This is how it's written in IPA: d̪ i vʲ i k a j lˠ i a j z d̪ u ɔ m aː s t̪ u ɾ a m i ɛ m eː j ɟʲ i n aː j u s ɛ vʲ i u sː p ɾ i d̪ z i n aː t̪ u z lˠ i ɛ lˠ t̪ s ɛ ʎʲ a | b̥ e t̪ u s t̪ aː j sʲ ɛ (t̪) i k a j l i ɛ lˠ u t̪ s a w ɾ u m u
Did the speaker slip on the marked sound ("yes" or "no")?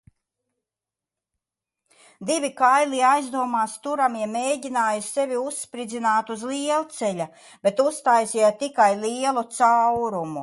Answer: no